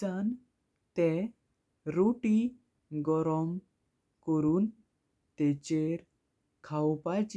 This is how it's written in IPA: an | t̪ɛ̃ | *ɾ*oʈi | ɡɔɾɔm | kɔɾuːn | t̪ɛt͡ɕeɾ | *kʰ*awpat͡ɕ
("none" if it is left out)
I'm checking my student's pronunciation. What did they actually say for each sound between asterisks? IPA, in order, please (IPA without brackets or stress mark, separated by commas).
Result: ɾ, kʰ